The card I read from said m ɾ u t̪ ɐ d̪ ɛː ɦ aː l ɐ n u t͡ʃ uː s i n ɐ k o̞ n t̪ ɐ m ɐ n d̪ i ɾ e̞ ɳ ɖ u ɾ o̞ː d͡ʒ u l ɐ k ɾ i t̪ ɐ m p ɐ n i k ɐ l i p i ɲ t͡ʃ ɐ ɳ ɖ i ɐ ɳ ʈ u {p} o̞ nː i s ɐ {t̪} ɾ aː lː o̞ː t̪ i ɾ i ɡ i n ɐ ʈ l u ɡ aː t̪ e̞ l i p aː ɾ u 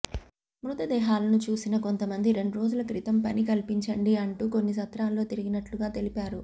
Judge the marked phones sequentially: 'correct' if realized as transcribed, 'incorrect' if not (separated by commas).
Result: incorrect, correct